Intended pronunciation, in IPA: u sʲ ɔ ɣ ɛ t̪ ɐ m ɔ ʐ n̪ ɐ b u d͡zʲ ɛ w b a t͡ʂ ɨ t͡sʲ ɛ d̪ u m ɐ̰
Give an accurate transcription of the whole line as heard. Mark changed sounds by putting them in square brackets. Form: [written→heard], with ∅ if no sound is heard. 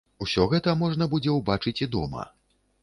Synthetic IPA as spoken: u sʲ ɔ ɣ ɛ t̪ ɐ m ɔ ʐ n̪ ɐ b u d͡zʲ ɛ w b a t͡ʂ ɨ t͡sʲ [ɛ→i] d̪ [u→ɔ] m ɐ̰